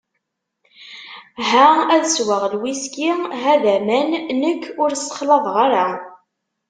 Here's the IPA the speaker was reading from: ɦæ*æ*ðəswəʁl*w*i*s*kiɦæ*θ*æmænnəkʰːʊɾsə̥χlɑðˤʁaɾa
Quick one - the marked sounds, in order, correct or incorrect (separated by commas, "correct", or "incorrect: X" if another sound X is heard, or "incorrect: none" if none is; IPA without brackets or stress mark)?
correct, correct, correct, incorrect: ð